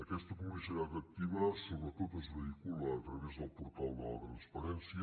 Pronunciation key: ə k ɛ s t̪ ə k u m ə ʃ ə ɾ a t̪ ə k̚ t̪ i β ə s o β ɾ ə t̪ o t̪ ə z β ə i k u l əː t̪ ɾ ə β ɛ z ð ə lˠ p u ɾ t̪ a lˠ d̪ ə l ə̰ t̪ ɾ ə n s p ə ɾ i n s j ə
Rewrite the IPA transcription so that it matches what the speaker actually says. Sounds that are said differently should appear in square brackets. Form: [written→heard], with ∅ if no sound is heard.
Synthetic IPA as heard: ə k ɛ s t̪ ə k u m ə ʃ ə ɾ a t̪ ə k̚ t̪ i β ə s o β ɾ ə t̪ o t̪ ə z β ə i k u l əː t̪ ɾ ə β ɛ z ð ə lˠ p u ɾ t̪ a lˠ d̪ ə l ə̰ t̪ ɾ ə n s p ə ɾ [i→ɛ] n s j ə